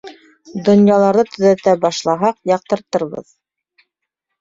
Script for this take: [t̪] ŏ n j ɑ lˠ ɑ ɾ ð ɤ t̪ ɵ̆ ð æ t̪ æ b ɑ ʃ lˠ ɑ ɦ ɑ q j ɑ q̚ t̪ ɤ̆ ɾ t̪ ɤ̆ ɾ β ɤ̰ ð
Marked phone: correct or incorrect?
incorrect: d̪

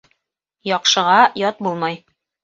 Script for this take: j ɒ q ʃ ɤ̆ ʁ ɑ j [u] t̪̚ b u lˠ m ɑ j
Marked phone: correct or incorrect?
incorrect: ɒ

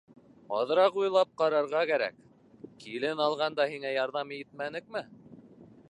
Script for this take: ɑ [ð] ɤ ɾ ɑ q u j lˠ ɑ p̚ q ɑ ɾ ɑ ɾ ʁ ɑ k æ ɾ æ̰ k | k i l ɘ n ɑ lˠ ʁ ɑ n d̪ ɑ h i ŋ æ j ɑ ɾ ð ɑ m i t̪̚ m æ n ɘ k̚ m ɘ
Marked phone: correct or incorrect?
correct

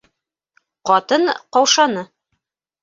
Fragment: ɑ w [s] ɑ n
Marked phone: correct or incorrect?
incorrect: ʃ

